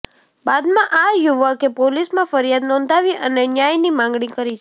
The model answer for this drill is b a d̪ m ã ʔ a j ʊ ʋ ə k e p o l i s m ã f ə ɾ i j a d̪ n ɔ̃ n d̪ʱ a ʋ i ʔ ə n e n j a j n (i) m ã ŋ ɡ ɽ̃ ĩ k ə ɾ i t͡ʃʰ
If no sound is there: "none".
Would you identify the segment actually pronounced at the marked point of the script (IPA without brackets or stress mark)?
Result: i